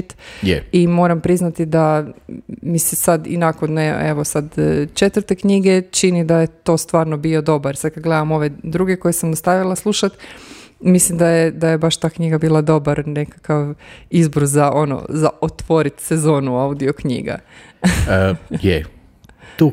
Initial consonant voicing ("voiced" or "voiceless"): voiceless